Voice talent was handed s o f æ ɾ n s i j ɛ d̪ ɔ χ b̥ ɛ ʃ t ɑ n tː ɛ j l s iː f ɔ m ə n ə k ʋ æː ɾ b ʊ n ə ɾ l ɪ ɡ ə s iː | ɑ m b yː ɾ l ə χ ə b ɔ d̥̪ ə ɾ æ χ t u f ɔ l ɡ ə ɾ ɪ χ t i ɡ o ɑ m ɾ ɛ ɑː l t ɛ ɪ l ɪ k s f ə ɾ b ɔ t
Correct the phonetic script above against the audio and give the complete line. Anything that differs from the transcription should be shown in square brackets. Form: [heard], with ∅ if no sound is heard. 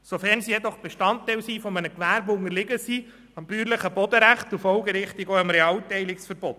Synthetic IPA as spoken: s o f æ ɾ n s i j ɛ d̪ ɔ χ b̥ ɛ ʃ t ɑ n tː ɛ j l s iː f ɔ m ə n ə k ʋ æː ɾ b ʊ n ə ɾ l ɪ ɡ ə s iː | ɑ m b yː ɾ l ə χ ə b ɔ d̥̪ ə ɾ æ χ t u f ɔ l ɡ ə ɾ ɪ χ t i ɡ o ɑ m ɾ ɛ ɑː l t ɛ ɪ l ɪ k s f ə ɾ b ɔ t